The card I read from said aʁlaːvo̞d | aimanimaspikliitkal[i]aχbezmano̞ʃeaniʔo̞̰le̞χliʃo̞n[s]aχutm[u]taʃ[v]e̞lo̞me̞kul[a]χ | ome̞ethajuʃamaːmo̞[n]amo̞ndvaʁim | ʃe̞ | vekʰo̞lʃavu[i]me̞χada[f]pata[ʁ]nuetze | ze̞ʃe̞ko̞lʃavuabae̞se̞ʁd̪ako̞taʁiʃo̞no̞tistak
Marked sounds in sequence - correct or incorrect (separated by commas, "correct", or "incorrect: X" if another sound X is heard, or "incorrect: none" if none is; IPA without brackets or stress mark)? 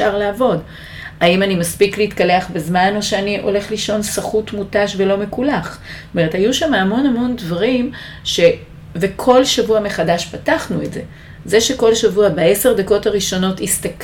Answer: incorrect: e, correct, correct, correct, correct, correct, incorrect: a, incorrect: ʃ, incorrect: χ